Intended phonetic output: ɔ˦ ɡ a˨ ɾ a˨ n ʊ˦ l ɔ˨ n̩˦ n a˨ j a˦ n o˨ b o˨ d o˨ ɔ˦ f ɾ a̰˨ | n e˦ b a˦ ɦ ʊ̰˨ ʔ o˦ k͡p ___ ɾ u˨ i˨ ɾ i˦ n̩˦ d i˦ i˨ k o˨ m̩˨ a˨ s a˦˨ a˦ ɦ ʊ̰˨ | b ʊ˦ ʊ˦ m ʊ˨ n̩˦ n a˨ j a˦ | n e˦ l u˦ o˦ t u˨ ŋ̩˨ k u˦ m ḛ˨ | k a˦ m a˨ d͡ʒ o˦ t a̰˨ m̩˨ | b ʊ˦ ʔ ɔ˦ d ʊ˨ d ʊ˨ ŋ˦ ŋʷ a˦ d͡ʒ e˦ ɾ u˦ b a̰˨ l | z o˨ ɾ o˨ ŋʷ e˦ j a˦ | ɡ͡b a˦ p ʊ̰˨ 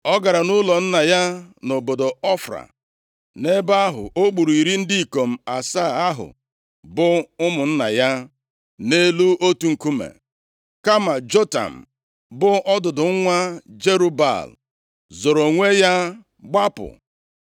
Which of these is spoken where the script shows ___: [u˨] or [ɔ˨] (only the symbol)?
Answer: u˨